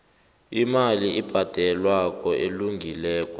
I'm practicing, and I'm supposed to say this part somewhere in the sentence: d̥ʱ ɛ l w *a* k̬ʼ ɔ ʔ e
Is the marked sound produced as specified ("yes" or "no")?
yes